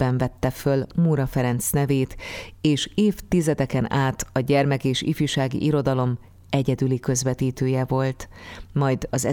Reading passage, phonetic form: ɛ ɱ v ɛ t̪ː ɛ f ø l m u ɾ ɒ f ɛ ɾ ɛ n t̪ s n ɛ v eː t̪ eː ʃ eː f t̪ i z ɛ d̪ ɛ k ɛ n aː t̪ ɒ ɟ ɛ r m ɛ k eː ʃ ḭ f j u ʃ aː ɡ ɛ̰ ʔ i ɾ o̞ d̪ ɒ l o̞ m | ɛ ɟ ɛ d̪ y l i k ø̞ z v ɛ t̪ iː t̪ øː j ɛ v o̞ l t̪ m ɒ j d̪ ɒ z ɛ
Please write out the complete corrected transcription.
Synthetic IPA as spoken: ɛ ɱ v ɛ t̪ː ɛ f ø l m u ɾ ɒ f ɛ ɾ ɛ n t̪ s n ɛ v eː t̪ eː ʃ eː f t̪ i z ɛ d̪ ɛ k ɛ n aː t̪ ɒ ɟ ɛ r m ɛ k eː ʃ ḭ f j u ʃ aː ɡ ḭ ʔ i ɾ o̞ d̪ ɒ l o̞ m | ɛ ɟ ɛ d̪ y l i k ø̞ z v ɛ t̪ iː t̪ øː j ɛ v o̞ l t̪ m ɒ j d̪ ɒ z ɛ